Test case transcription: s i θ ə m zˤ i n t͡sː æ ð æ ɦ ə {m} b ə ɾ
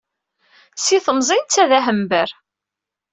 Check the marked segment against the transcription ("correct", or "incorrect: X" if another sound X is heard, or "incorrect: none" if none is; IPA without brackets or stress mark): correct